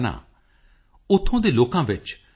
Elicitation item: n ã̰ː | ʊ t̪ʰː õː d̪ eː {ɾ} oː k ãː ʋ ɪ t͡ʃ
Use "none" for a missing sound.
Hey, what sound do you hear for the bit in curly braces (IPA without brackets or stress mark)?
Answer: l